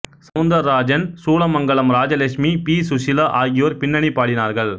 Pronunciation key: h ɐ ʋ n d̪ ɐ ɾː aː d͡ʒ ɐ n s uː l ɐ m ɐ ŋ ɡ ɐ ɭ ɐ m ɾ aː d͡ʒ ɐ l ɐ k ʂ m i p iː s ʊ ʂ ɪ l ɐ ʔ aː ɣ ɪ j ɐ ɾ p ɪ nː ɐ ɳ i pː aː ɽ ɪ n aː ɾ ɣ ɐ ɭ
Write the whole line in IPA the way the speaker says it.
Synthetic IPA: s ɐ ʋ n d̪ ɐ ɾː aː d͡ʒ ɐ n s uː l ɐ m ɐ ŋ ɡ ɐ ɭ ɐ m ɾ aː d͡ʒ ɐ l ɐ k ʂ m i p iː s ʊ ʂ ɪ l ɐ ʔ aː ɣ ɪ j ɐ ɾ p ɪ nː ɐ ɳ i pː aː ɽ ɪ n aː ɾ ɣ ɐ ɭ